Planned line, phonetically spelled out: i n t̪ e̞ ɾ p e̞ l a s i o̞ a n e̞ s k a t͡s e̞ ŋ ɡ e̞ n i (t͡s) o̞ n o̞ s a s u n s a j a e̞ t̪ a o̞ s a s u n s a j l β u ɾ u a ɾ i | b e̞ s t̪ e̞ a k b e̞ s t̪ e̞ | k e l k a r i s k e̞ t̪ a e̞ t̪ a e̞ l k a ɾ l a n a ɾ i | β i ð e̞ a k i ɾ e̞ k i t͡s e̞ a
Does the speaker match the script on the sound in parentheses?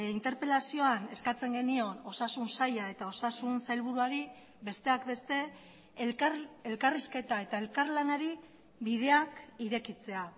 no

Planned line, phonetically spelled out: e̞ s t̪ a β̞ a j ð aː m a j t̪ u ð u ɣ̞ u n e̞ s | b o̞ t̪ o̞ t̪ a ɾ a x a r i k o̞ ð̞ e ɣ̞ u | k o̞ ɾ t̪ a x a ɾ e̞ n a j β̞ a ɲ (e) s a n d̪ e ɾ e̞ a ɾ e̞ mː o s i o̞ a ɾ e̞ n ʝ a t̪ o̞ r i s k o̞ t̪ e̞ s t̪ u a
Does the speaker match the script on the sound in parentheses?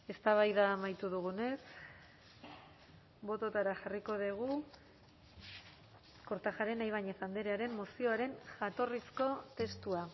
yes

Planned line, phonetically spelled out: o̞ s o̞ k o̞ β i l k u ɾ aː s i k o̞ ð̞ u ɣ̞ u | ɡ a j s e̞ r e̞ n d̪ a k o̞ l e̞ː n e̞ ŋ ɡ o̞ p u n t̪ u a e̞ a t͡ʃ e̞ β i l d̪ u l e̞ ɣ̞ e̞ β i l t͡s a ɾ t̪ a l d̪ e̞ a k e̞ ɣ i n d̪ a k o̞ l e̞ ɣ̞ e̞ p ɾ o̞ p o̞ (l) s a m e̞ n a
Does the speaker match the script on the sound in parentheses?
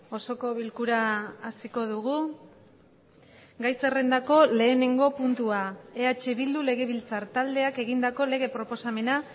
no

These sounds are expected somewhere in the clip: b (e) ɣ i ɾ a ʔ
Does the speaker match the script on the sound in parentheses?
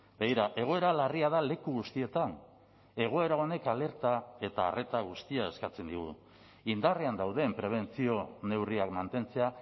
yes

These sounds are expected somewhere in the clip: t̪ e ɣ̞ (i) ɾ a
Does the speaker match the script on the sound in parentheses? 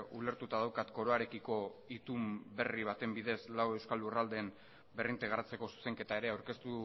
no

